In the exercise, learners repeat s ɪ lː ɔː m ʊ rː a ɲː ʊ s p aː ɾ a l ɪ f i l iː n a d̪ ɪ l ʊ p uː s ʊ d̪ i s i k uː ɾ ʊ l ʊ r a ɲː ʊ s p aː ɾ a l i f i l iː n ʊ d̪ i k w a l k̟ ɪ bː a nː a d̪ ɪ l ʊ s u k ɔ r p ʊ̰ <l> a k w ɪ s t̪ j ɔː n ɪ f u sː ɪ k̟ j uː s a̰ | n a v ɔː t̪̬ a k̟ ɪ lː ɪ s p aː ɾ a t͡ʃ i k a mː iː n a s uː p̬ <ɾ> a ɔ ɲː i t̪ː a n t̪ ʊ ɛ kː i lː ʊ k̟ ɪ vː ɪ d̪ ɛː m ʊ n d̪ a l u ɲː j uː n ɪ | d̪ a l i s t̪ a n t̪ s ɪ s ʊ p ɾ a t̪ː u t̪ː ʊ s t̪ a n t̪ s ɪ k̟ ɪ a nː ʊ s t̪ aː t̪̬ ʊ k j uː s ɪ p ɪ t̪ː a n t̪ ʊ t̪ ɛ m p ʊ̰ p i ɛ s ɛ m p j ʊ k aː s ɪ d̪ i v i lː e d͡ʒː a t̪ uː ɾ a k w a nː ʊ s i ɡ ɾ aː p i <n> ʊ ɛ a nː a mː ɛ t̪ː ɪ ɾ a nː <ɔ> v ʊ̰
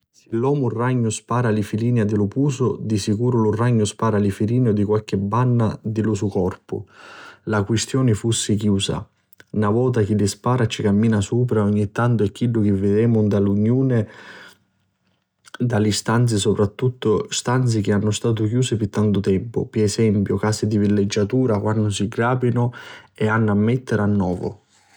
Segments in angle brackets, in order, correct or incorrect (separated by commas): correct, correct, correct, incorrect